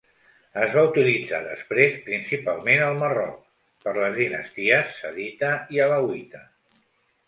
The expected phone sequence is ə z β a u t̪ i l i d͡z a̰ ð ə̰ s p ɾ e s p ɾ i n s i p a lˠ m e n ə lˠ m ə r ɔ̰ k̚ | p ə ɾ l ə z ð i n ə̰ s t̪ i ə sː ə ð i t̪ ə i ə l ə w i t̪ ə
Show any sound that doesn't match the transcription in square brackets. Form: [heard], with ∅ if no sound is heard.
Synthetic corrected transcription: ə z β a u t̪ i l i d͡z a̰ ð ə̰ s p ɾ e s p ɾ i n s i p a lˠ m e n ə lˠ m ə r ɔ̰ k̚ | p ə ɾ l ə z ð i n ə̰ s t̪ i ə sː ə ð i t̪ ə i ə l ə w i t̪ ə